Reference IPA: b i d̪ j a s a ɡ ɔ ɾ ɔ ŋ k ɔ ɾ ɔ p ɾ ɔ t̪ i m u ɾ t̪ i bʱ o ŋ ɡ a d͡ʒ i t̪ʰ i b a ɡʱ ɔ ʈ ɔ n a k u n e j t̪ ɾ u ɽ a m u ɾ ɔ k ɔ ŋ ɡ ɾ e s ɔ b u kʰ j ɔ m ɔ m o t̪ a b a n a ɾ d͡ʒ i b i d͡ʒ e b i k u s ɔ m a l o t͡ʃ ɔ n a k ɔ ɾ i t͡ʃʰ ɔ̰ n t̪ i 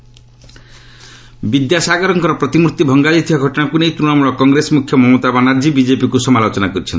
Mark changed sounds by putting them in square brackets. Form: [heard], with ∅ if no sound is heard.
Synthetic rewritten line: b i d̪ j a s a ɡ ɔ ɾ ɔ ŋ k ɔ ɾ ɔ p ɾ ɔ t̪ i m u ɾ t̪ i bʱ [ɔ] ŋ ɡ a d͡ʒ i t̪ʰ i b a ɡʱ ɔ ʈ ɔ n a k u n e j t̪ ɾ u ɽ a m u [ɭ] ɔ k ɔ ŋ ɡ ɾ e s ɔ [m] u kʰ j ɔ m ɔ m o t̪ a b a n a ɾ d͡ʒ i b i d͡ʒ e [p] i k u s ɔ m a l o t͡ʃ ɔ n a k ɔ ɾ i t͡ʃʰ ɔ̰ n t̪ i